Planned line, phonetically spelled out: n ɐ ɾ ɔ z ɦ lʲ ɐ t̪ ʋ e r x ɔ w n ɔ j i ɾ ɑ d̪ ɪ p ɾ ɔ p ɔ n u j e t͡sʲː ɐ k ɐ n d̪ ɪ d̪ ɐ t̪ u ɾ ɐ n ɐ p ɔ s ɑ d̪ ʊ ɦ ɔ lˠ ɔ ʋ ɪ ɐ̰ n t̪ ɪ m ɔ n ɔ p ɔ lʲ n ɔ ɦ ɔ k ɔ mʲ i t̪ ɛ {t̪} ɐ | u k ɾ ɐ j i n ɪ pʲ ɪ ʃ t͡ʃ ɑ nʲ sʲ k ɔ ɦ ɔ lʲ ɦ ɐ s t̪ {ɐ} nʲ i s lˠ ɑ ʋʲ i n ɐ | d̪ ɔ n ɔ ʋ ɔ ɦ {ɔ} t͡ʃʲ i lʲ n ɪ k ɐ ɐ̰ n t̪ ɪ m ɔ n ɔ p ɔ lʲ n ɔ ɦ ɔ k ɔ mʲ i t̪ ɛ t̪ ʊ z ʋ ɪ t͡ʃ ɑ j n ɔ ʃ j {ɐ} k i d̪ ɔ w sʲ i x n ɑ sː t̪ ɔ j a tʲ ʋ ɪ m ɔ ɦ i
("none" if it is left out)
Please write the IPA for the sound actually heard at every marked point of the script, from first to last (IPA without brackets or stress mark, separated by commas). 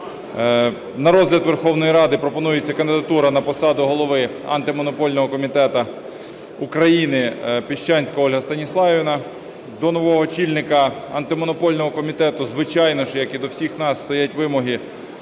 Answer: t̪, ɐ, ɔ, ɐ